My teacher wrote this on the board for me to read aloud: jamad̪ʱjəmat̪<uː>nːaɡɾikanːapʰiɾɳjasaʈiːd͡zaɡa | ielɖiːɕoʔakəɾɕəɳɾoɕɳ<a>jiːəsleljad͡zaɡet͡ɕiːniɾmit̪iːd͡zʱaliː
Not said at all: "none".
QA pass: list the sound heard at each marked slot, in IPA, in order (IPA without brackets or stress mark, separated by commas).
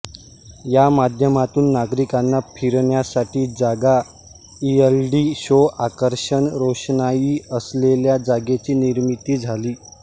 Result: uː, a